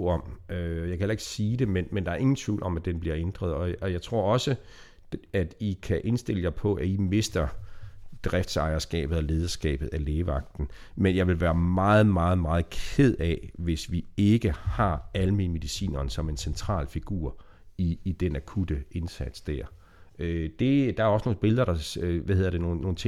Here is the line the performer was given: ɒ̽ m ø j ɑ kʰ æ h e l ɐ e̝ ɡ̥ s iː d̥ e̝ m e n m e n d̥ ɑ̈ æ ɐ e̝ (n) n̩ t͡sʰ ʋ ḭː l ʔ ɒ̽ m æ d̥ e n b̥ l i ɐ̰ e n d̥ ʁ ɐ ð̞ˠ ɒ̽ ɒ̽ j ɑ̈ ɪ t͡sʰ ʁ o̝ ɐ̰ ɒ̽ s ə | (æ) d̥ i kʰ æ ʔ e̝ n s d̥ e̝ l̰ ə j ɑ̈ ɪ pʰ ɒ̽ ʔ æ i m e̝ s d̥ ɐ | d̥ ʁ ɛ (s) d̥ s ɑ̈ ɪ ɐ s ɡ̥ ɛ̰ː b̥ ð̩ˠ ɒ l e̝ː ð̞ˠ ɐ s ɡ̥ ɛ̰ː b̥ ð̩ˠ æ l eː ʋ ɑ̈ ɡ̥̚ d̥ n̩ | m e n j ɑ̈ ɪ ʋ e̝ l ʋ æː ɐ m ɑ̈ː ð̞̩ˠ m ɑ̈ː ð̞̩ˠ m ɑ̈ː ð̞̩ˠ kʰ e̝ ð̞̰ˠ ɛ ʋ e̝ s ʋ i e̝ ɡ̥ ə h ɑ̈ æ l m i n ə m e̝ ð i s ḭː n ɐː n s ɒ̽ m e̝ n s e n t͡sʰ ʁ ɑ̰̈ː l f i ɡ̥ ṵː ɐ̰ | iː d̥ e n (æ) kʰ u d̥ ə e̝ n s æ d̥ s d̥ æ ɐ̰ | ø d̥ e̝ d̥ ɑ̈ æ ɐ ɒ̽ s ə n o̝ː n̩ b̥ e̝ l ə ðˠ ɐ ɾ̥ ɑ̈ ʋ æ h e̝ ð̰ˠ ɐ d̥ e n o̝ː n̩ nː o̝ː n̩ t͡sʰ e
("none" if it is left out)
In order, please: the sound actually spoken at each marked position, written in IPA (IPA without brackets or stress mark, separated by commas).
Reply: ŋ, æ, f, æ